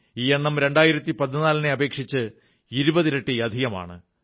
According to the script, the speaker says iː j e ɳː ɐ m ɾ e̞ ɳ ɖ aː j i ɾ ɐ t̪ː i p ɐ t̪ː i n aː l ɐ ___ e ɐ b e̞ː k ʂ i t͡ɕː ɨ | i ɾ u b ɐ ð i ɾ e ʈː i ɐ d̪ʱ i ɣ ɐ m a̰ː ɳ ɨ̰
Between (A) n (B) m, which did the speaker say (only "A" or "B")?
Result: A